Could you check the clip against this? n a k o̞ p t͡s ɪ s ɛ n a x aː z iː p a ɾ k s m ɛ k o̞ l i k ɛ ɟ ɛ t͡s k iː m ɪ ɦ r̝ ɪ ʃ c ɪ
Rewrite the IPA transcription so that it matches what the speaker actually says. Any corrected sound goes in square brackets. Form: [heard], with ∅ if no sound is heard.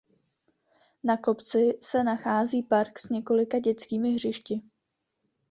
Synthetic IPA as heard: n a k o̞ p t͡s ɪ s ɛ n a x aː z iː p a ɾ k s [ɲ] ɛ k o̞ l [ɪ] k [a] ɟ ɛ t͡s k iː m ɪ ɦ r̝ ɪ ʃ c ɪ